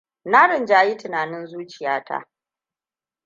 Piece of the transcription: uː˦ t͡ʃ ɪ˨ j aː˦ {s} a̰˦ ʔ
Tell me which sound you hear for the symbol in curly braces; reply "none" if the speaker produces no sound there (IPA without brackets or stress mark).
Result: t